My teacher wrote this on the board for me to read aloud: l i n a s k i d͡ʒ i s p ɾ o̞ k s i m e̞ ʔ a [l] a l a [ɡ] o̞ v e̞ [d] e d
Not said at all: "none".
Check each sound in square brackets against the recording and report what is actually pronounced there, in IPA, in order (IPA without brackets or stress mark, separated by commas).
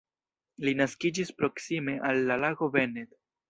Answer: lː, ɡ, n